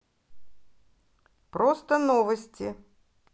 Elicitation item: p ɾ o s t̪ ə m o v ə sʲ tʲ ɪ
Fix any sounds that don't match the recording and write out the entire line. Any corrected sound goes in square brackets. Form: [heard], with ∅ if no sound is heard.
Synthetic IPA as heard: p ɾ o s t̪ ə [n] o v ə sʲ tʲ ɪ